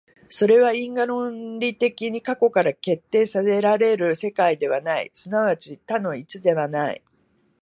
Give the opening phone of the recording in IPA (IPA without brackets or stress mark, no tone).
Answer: s